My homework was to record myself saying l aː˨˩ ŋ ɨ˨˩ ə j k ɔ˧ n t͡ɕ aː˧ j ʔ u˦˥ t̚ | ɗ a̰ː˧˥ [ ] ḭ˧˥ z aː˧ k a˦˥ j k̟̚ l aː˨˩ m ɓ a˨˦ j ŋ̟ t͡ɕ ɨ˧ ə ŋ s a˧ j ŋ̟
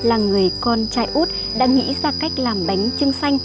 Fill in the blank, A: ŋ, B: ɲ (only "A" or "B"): A